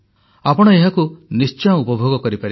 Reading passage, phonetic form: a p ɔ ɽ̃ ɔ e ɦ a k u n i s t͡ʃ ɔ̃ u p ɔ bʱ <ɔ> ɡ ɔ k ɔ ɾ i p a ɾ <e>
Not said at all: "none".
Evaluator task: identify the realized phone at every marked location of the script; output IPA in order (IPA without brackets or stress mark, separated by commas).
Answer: o, i